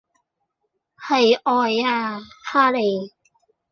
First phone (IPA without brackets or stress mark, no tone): h